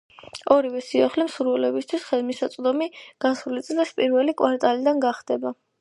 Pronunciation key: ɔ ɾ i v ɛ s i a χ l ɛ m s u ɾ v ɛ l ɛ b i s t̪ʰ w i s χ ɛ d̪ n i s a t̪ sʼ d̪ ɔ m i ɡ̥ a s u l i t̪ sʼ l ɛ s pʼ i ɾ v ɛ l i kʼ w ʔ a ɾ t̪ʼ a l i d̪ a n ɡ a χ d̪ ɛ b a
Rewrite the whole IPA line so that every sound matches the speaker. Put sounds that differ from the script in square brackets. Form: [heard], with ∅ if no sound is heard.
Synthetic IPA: ɔ ɾ i v ɛ s i a χ l ɛ m s u ɾ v ɛ l ɛ b i s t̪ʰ w i s χ ɛ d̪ [m] i s a t̪ sʼ d̪ ɔ m i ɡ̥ a s u l i t̪ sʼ l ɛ s pʼ i ɾ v ɛ l i kʼ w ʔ a ɾ t̪ʼ a l i d̪ a n ɡ a χ d̪ ɛ b a